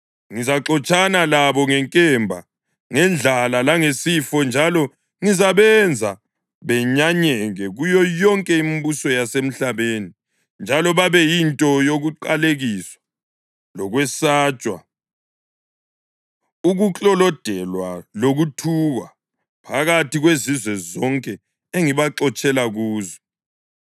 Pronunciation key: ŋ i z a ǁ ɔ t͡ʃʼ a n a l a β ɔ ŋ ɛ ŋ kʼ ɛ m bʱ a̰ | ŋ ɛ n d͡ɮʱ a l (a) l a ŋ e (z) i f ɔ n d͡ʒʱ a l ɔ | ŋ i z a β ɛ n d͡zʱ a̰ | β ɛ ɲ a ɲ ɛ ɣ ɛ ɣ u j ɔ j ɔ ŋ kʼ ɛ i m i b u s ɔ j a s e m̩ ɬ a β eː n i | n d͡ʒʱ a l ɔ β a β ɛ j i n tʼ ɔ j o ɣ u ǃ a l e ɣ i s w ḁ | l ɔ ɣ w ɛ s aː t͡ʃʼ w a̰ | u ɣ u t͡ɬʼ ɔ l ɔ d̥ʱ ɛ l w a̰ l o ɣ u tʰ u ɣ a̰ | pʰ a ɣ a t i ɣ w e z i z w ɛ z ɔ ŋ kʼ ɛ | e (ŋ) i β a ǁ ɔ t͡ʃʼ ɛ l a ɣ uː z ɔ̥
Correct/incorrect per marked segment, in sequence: correct, incorrect: s, correct

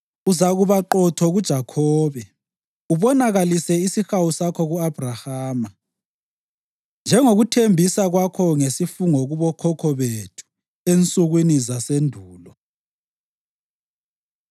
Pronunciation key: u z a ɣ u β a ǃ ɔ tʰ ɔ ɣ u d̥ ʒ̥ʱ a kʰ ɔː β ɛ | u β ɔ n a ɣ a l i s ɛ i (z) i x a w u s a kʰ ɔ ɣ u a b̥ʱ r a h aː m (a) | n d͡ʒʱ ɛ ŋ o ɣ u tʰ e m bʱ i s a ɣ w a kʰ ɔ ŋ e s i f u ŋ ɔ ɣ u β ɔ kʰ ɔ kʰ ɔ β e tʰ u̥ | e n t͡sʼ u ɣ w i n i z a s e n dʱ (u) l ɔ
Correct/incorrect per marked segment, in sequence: incorrect: s, correct, incorrect: uː

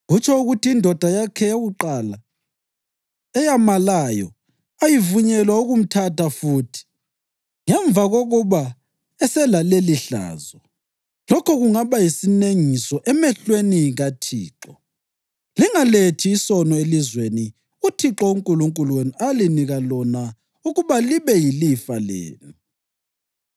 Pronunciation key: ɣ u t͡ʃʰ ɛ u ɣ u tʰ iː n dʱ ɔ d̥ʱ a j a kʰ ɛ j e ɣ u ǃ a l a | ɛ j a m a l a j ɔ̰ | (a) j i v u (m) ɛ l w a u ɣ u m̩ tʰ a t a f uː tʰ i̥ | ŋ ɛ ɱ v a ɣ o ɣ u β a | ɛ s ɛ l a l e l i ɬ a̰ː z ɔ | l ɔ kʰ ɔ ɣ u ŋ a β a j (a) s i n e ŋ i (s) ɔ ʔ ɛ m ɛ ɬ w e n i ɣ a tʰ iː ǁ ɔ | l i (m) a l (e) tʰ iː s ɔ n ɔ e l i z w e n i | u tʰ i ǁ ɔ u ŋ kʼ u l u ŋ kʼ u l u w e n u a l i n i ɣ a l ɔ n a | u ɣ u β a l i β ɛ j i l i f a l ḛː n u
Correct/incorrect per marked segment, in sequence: correct, incorrect: ɲ, incorrect: i, correct, incorrect: ŋ, correct

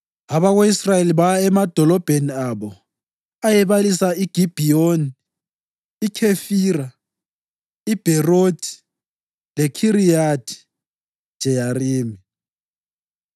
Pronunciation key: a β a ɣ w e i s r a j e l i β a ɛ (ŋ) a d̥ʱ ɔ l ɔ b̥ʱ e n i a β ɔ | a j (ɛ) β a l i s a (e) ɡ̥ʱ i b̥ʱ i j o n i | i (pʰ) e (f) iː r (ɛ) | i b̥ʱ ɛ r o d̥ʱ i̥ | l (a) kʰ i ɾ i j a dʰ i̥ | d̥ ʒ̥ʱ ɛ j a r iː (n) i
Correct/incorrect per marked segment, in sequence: incorrect: m, correct, incorrect: i, incorrect: kʰ, correct, incorrect: a, incorrect: ɛ, incorrect: m

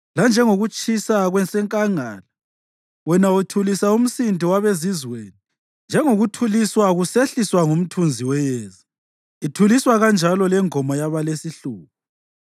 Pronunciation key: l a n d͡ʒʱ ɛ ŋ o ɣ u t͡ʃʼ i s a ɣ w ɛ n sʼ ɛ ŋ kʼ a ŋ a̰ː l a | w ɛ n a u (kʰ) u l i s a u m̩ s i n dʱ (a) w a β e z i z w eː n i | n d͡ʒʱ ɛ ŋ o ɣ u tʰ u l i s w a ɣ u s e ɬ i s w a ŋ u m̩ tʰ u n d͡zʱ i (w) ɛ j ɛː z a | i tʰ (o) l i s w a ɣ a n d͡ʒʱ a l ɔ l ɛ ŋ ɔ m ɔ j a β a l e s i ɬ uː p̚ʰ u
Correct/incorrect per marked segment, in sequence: incorrect: tʰ, incorrect: i, correct, incorrect: u

